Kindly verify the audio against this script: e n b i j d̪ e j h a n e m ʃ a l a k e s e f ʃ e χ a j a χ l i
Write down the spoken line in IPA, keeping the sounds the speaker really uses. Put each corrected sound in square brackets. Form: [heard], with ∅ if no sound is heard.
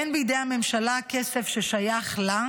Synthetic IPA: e n b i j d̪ e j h a [m] e m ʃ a l a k e s e f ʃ e [ʃ] a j a χ l [a]